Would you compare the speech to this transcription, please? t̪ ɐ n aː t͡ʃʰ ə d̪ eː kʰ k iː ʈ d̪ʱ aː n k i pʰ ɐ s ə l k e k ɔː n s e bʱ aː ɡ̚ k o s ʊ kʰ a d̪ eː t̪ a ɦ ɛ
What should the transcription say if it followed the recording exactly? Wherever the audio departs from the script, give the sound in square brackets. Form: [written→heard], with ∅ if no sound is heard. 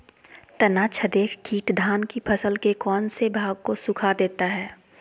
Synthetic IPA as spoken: t̪ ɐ n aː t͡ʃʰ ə d̪ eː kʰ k iː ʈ d̪ʱ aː n k i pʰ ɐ s ə l k e k ɔː n s e bʱ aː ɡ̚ k o s ʊ kʰ a d̪ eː t̪ a ɦ [ɛ→ɛː]